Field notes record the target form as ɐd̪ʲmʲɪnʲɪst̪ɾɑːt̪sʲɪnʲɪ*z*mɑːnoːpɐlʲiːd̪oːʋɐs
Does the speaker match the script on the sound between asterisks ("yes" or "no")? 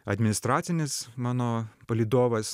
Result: no